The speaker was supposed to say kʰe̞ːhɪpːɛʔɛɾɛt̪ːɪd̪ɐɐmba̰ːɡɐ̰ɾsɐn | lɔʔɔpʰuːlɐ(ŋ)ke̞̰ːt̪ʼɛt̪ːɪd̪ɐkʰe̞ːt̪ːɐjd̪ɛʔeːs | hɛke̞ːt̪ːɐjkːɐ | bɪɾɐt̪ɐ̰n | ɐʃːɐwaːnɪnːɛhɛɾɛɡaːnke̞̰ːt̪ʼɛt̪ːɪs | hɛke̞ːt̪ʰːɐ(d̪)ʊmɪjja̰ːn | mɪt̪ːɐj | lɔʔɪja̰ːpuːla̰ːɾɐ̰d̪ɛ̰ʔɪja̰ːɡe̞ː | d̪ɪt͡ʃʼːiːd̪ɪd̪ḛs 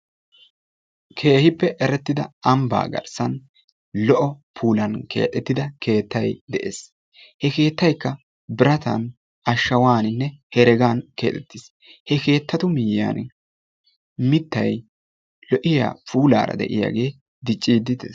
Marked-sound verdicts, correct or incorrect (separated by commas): incorrect, incorrect